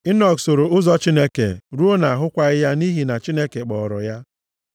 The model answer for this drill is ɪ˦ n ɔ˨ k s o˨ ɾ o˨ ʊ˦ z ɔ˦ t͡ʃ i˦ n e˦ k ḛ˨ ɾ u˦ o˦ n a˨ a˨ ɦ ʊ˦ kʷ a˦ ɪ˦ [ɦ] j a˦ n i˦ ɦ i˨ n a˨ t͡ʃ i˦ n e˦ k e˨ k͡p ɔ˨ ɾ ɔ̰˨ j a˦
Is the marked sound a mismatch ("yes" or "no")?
yes